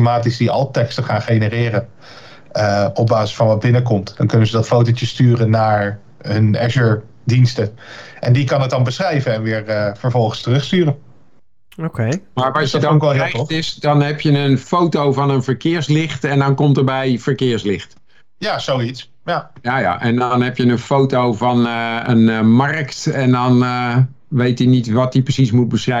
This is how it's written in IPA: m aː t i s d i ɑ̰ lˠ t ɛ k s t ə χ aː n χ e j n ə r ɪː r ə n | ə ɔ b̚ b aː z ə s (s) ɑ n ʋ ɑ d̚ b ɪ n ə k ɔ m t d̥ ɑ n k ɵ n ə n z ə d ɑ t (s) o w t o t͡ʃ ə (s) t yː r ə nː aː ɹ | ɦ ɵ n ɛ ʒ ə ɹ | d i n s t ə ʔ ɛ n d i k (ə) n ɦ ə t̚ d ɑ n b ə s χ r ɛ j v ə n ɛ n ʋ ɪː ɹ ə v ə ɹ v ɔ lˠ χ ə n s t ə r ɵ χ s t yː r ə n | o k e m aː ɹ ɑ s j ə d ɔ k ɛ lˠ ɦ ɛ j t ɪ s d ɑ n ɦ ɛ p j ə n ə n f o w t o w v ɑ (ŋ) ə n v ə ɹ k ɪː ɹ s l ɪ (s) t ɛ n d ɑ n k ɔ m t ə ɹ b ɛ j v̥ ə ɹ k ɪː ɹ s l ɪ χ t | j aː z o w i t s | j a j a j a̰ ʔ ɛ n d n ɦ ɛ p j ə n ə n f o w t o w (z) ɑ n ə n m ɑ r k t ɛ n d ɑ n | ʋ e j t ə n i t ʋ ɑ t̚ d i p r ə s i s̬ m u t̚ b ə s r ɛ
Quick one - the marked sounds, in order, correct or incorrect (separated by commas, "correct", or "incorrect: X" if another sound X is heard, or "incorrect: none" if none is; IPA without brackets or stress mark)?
incorrect: f, incorrect: f, correct, incorrect: ɑ, incorrect: n, incorrect: χ, incorrect: v